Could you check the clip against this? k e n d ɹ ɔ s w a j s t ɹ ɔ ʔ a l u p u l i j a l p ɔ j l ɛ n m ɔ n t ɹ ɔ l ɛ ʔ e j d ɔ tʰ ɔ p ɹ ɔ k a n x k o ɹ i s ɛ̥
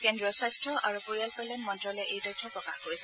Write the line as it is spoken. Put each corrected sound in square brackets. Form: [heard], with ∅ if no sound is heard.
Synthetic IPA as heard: k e n d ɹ ɔ s w a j s t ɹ ɔ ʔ a [ɹ] u p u [ɹ] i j a l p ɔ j l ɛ n m ɔ n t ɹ ɔ l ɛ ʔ e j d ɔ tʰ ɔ p ɹ ɔ k a [∅] x k o ɹ i s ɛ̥